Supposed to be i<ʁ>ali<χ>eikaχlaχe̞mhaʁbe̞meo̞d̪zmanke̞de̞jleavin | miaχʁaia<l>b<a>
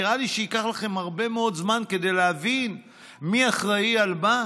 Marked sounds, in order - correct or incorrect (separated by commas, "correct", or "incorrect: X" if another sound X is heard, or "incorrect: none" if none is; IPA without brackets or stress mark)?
correct, incorrect: ʃ, correct, correct